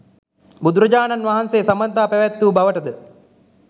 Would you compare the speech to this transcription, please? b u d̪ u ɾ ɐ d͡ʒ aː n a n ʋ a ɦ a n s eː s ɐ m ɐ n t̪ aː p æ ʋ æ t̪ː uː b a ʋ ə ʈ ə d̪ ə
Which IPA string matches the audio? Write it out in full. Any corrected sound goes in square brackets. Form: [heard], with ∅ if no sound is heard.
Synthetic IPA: b u d̪ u ɾ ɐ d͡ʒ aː n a n ʋ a ɦ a n s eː s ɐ m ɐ n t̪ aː p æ ʋ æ t̪ː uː b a ʋ ə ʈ ə d̪ ə